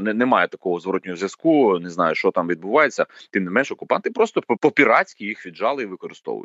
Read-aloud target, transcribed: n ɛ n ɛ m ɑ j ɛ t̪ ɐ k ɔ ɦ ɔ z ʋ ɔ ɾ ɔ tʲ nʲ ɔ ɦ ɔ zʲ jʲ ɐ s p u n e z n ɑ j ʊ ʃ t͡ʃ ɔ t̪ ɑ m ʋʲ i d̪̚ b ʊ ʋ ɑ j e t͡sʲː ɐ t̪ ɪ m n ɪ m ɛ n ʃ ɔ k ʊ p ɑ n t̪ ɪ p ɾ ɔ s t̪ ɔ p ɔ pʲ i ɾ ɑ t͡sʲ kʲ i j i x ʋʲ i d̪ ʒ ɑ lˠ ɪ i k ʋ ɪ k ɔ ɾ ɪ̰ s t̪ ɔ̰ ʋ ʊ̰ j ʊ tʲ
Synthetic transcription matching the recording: n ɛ n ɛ m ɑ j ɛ t̪ ɐ k ɔ ɦ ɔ z ʋ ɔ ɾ ɔ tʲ nʲ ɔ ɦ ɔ zʲ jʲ ɐ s k u n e z n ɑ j ʊ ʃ t͡ʃ ɔ t̪ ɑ m ʋʲ i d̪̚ b ʊ ʋ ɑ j e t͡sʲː ɐ t̪ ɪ m n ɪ m ɛ n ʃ ɔ k ʊ p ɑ n t̪ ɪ p ɾ ɔ s t̪ ɔ p ɔ pʲ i ɾ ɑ t͡sʲ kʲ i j i x ʋʲ i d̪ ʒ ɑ lˠ ɪ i ʋ ɪ k ɔ ɾ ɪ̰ s t̪ ɔ̰ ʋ ʊ̰ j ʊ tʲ